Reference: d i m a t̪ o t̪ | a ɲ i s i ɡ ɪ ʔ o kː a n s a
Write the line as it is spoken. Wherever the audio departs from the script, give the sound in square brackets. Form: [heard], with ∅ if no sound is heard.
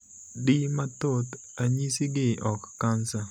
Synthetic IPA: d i m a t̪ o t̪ | a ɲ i s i ɡ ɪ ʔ [ɔ] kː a n s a